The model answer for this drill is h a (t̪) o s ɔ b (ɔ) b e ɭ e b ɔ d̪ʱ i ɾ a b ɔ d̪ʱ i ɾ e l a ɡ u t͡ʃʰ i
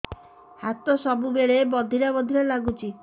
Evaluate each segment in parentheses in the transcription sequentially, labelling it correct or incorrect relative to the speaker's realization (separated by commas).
correct, incorrect